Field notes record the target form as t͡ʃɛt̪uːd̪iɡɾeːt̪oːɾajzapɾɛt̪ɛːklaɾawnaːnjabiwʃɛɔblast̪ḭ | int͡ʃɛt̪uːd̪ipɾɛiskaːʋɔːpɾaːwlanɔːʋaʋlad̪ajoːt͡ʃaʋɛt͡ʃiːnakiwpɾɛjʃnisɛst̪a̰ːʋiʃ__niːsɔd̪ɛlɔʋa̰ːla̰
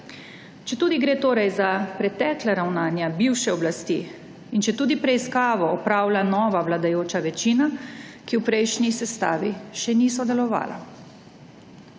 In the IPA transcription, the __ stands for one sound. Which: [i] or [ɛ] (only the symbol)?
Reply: ɛ